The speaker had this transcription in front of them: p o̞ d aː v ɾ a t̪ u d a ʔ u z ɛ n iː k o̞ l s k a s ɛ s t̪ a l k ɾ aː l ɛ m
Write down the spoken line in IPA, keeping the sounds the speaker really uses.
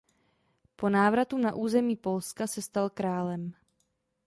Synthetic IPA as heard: p o̞ n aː v ɾ a t̪ u n a ʔ uː z ɛ m iː p o̞ l s k a s ɛ s t̪ a l k ɾ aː l ɛ m

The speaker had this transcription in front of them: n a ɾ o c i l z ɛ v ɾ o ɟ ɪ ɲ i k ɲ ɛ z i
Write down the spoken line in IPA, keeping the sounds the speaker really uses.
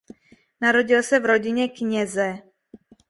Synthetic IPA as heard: n a ɾ o ɟ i l s ɛ v ɾ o ɟ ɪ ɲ ɛ k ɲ ɛ z ɛ

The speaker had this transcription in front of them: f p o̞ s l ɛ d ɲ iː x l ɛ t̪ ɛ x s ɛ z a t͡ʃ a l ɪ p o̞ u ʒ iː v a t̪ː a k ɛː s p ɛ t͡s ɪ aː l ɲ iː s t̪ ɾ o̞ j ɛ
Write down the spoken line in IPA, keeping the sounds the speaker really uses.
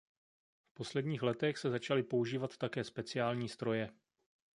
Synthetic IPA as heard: f p o̞ s l ɛ d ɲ iː x l ɛ t̪ ɛ x s ɛ z a t͡ʃ a l ɪ p o̞ u ʒ iː v a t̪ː a k ɛː s p ɛ t͡s ɪ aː l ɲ iː s t̪ ɾ o̞ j ɛ

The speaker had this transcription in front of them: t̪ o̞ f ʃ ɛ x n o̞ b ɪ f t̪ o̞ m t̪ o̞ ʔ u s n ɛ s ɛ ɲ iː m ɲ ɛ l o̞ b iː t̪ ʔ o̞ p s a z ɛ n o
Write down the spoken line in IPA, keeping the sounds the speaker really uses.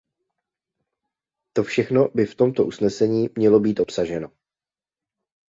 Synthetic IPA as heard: t̪ o̞ f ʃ ɛ x n o̞ b ɪ f t̪ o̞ m t̪ o̞ ʔ u s n ɛ s ɛ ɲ iː m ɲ ɛ l o̞ b iː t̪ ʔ o̞ p s a ʒ ɛ n o

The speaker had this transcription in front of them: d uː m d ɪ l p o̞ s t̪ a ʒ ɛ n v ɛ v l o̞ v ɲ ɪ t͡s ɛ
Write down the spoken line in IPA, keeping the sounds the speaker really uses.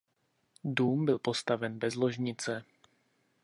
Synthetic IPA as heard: d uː m b ɪ l p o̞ s t̪ a v ɛ n b ɛ z l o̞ ʒ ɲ ɪ t͡s ɛ

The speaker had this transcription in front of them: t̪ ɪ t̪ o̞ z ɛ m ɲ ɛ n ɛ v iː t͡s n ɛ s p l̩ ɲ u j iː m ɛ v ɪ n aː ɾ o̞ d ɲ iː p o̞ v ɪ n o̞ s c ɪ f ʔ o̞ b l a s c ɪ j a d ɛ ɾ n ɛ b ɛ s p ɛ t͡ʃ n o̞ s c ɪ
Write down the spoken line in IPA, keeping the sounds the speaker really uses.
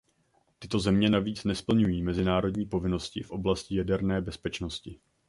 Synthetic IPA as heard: t̪ ɪ t̪ o̞ z ɛ m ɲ ɛ n a v iː t͡s n ɛ s p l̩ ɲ u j iː m ɛ z ɪ n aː ɾ o̞ d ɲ iː p o̞ v ɪ n o̞ s c ɪ f ʔ o̞ b l a s c ɪ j a d ɛ ɾ n ɛː b ɛ s p ɛ t͡ʃ n o̞ s c ɪ

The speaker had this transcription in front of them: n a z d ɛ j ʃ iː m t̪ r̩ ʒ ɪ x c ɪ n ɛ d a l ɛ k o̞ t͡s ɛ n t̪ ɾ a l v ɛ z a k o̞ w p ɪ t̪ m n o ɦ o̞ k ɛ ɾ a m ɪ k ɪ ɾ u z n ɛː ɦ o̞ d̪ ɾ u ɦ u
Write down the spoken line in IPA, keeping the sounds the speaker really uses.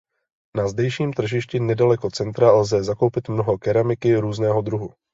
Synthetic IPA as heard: n a z d ɛ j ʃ iː m t̪ r̩ ʒ ɪ ʃ c ɪ n ɛ d a l ɛ k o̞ t͡s ɛ n t̪ ɾ a l z ɛ z a k o̞ w p ɪ t̪ m n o ɦ o̞ k ɛ ɾ a m ɪ k ɪ ɾ uː z n ɛː ɦ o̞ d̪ ɾ u ɦ u

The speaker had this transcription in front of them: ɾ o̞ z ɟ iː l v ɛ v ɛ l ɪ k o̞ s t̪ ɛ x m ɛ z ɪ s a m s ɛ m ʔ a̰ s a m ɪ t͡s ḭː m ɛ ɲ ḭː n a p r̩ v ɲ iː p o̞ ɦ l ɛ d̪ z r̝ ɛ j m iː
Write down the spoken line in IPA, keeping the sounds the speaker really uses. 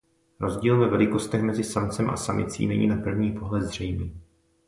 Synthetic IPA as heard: ɾ o̞ z ɟ iː l v ɛ v ɛ l ɪ k o̞ s t̪ ɛ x m ɛ z ɪ s a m t͡s ɛ m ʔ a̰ s a m ɪ t͡s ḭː n ɛ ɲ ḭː n a p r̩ v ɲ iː p o̞ ɦ l ɛ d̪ z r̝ ɛ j m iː

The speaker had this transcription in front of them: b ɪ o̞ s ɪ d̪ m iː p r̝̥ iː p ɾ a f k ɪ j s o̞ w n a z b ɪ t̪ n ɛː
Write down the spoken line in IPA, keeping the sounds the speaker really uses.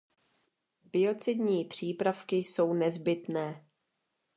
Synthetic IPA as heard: b ɪ o̞ t͡s ɪ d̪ ɲ iː p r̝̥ iː p ɾ a f k ɪ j s o̞ w n ɛ z b ɪ t̪ n ɛː

